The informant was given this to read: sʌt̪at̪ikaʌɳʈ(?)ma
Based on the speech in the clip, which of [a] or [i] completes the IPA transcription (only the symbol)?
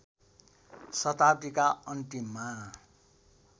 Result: i